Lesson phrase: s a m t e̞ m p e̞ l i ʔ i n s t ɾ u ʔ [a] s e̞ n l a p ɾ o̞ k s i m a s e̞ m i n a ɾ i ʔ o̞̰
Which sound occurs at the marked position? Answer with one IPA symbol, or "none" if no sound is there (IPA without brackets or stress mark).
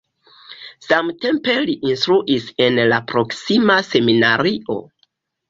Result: i